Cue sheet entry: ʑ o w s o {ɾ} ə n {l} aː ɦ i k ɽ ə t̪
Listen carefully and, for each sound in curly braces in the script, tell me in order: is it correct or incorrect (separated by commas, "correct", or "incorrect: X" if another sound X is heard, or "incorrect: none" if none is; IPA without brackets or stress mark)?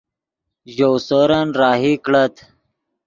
correct, incorrect: ɾ